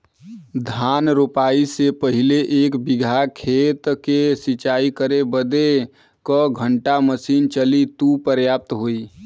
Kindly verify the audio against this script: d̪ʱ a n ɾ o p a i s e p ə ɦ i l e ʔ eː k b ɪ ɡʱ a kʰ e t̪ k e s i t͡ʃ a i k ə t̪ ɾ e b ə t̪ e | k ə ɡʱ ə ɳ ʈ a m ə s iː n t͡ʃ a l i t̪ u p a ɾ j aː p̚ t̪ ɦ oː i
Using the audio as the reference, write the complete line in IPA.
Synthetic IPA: d̪ʱ a n ɾ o p a i s e p ə ɦ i l e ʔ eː k b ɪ ɡʱ a kʰ e t̪ k e s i t͡ʃ a i k ə ɾ e b ə d̪ e | k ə ɡʱ ə ɳ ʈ a m ə s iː n t͡ʃ ə l i t̪ u p ə ɾ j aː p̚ t̪ ɦ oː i